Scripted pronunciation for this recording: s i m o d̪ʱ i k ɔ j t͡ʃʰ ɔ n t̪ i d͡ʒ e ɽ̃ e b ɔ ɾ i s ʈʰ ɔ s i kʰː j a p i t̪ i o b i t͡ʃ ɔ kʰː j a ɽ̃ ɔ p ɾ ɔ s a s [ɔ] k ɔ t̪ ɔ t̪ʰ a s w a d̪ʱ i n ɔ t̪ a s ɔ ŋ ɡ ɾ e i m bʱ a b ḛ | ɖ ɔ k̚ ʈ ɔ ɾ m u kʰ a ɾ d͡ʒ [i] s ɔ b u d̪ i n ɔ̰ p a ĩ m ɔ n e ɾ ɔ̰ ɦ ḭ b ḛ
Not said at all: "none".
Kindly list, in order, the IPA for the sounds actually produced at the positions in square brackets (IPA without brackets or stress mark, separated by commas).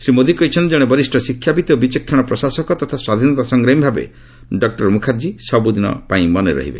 ɔ, i